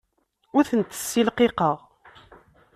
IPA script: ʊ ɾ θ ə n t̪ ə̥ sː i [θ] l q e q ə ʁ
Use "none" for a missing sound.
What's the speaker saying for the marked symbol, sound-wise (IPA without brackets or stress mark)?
none